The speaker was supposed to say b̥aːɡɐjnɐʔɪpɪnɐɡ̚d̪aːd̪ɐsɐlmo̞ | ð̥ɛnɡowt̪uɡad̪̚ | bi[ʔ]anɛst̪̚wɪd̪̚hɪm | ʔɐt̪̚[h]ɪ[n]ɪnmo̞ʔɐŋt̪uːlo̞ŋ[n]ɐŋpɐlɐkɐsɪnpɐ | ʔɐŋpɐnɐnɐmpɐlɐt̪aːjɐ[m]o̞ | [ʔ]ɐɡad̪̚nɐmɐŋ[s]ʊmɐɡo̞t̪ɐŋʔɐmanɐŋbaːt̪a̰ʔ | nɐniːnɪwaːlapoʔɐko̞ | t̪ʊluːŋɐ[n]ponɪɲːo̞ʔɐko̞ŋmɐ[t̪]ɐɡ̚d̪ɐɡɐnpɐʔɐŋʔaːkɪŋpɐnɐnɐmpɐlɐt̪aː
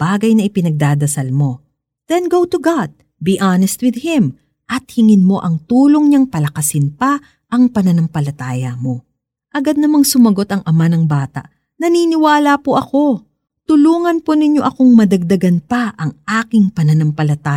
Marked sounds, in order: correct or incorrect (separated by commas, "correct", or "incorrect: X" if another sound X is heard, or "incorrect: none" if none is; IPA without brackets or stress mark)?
correct, correct, incorrect: ŋ, incorrect: ɲ, correct, correct, correct, correct, incorrect: d̪